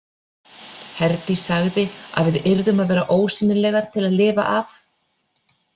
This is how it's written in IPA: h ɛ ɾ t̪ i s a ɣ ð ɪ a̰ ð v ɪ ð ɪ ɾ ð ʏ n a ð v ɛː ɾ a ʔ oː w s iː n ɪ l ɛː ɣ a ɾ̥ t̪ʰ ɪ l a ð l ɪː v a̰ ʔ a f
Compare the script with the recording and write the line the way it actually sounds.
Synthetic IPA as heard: h ɛ ɾ t̪ i s a ɣ ð ɪ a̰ ð v ɪ ð ɪ ɾ ð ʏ m a ð v ɛː ɾ a ʔ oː w s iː n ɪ l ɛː ɣ a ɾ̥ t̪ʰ ɪ l a ð l ɪː v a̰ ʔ a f